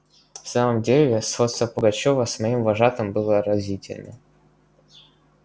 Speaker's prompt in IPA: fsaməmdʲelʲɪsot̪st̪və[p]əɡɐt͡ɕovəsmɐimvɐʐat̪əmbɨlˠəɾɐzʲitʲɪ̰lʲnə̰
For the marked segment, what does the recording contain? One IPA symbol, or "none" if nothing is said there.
p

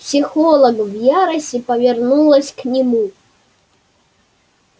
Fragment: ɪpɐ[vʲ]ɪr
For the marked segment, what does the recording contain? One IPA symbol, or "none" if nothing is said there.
vʲ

